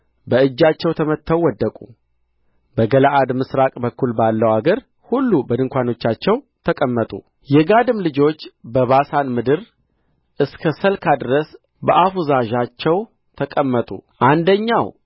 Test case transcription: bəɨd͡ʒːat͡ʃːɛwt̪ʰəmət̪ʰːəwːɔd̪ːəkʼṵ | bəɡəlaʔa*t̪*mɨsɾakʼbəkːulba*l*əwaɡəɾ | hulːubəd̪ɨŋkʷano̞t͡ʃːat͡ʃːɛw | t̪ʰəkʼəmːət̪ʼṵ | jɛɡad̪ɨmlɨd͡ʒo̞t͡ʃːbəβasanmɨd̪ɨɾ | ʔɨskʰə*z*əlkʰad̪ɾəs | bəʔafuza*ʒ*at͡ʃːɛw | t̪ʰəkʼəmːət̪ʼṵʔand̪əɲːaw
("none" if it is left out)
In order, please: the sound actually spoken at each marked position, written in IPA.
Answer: d̪, lː, s, ʒ

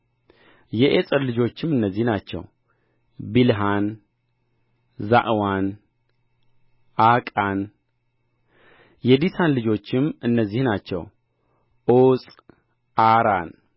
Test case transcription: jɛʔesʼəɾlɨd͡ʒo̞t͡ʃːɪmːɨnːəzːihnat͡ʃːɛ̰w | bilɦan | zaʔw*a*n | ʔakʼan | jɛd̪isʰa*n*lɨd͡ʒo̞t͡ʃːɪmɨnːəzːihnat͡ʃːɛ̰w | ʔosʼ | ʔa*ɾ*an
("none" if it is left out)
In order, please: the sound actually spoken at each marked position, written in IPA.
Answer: a, n, ɾ

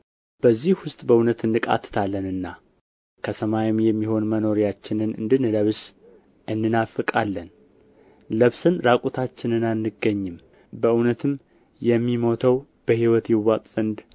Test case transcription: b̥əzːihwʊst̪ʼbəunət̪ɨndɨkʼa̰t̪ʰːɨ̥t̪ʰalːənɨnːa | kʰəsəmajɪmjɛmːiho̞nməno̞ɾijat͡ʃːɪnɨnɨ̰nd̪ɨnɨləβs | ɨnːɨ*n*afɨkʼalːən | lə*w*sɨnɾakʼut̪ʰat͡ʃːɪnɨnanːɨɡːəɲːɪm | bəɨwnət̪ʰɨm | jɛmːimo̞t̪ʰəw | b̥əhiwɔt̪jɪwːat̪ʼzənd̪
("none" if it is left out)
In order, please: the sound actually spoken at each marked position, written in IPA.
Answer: n, β

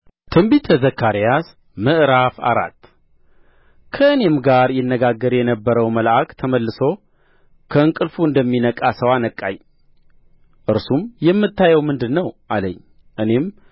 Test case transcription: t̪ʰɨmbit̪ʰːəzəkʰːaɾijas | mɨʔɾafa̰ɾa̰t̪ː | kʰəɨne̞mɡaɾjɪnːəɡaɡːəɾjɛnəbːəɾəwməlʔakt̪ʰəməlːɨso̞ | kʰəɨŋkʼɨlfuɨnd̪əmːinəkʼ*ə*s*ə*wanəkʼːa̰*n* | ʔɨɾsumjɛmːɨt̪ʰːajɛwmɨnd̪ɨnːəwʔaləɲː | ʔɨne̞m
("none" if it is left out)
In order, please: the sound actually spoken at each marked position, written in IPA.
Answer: a, ə, ɲ

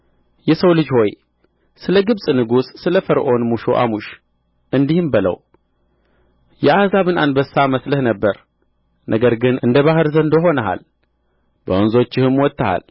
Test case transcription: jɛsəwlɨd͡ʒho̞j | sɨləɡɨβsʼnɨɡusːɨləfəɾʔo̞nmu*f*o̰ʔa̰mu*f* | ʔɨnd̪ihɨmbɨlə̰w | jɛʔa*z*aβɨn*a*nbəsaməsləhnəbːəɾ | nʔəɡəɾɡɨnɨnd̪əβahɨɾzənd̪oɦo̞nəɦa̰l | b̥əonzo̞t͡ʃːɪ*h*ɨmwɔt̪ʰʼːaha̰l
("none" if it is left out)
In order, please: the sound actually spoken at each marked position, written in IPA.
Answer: ʃ, ʃ, z, a, h

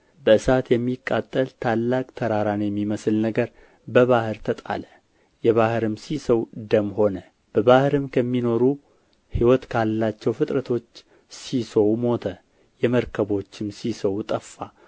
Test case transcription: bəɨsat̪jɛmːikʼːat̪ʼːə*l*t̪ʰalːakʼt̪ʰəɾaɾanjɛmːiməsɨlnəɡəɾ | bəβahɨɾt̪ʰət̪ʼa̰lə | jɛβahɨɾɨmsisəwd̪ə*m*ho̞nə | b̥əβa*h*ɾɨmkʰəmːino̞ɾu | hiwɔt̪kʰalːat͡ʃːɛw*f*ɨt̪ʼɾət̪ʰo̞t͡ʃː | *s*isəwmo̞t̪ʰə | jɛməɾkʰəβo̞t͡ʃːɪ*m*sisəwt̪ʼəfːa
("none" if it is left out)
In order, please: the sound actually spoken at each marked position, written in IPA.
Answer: l, m, h, f, s, m

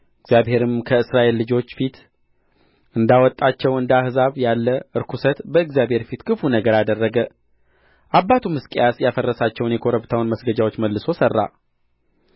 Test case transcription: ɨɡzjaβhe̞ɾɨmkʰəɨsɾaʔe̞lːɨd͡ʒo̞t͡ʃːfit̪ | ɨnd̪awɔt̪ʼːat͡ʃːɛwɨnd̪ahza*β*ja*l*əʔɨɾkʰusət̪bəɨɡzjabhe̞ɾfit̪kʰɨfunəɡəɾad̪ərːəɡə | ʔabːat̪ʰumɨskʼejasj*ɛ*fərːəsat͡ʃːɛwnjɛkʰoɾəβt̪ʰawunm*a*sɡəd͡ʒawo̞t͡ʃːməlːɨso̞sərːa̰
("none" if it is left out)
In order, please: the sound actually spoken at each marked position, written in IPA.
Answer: β, lː, a, ə

